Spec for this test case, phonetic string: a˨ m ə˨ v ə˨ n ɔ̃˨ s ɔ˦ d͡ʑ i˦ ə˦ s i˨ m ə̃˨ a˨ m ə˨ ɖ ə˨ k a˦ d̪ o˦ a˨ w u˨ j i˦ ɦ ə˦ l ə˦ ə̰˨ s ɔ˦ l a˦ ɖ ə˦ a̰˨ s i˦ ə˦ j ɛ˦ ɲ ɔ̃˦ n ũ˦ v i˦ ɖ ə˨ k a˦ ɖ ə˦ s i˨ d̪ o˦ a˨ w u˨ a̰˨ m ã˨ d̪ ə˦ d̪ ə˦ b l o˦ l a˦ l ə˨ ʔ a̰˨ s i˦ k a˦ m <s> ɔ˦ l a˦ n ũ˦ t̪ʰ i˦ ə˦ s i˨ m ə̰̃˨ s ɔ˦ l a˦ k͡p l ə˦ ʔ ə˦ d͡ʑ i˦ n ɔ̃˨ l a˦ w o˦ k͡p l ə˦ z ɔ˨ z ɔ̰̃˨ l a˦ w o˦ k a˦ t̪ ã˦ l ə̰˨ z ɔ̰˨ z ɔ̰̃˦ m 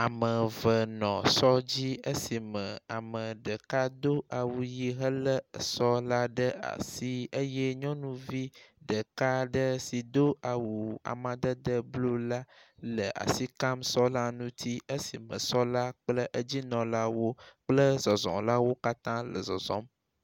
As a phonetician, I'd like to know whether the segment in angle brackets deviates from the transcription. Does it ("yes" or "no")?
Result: no